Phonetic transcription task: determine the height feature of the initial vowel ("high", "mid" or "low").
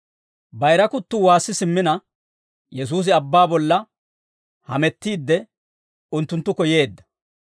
low